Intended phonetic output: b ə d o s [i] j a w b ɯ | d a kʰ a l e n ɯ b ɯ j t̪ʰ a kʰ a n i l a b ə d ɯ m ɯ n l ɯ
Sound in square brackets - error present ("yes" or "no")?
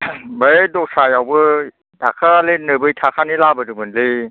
yes